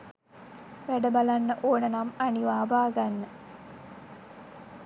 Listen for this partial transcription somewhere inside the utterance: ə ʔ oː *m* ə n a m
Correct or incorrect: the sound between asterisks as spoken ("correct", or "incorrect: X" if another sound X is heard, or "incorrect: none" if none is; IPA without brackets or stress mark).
incorrect: n